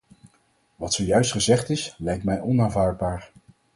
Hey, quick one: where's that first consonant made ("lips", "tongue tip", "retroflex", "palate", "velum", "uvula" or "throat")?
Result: lips